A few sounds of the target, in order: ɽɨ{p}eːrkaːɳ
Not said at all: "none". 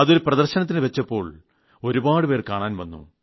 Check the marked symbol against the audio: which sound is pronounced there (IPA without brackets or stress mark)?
p